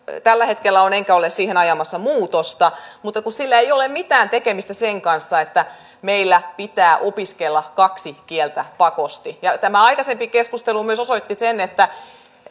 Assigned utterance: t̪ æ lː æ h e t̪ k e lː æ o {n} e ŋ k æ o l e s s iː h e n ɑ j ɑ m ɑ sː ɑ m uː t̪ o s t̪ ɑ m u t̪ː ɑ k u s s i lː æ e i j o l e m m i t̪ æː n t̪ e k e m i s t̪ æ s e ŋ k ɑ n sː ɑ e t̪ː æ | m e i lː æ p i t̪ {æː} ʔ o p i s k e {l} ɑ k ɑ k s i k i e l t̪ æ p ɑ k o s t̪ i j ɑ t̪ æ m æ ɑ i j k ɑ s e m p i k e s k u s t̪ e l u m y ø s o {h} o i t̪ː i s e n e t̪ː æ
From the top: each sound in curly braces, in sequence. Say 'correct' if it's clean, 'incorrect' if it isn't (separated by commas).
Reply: correct, correct, incorrect, incorrect